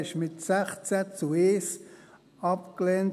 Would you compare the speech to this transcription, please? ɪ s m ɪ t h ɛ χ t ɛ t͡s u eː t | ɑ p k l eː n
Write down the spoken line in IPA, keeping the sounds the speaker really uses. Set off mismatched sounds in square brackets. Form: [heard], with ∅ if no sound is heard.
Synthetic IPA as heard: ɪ [ʃ] m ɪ t [s] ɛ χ [t͡s] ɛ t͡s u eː [s] | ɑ p k l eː n